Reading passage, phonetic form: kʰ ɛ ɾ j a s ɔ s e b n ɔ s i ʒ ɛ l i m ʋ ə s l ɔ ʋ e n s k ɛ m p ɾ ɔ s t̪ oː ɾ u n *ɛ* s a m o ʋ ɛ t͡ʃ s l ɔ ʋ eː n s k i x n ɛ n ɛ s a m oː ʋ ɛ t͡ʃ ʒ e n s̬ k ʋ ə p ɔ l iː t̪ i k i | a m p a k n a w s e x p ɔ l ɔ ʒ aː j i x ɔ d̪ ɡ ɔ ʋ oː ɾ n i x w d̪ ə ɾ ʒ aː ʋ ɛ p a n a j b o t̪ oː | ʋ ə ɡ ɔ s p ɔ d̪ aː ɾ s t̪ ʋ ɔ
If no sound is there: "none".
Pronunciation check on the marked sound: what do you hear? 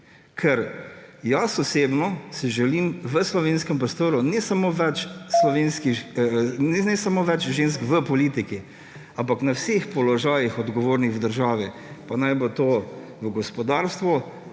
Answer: ɛ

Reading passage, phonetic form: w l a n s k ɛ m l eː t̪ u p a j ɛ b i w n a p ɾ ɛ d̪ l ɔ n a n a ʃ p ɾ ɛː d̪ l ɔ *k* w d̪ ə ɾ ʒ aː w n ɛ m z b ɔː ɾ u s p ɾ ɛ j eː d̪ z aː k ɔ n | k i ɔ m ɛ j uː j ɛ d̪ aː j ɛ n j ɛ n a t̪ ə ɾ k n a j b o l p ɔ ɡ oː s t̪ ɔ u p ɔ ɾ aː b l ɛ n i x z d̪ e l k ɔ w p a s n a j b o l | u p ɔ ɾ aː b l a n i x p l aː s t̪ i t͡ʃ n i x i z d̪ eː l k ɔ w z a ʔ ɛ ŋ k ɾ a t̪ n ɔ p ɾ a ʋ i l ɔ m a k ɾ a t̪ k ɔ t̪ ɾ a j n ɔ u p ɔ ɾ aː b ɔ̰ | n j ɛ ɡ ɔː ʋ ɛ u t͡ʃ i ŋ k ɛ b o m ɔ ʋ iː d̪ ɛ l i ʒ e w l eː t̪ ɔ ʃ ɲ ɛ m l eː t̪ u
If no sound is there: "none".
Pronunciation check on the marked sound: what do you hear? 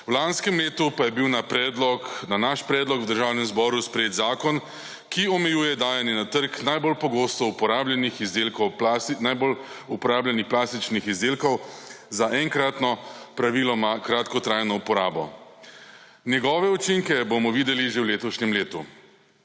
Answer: k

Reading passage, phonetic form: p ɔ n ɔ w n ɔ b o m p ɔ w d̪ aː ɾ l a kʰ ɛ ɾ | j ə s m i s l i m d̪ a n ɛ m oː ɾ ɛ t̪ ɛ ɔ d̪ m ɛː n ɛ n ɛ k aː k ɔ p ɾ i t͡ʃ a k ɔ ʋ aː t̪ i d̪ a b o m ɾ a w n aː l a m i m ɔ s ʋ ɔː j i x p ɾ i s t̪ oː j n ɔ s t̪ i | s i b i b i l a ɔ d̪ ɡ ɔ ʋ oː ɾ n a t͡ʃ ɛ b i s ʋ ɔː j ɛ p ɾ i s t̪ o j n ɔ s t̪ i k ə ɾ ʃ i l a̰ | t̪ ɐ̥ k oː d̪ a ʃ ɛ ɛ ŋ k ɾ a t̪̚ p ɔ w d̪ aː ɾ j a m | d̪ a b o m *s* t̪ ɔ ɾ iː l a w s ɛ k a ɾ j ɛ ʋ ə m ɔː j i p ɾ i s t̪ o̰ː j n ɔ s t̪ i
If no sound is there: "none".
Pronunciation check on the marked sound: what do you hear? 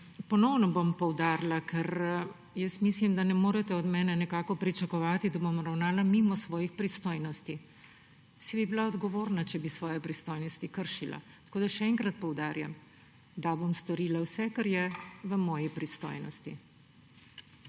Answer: s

